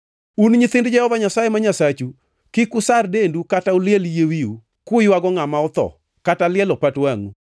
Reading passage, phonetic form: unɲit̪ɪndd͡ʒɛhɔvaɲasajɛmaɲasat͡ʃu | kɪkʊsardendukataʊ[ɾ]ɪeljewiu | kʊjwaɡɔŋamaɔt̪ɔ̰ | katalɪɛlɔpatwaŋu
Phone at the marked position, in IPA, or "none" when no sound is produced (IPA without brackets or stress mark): l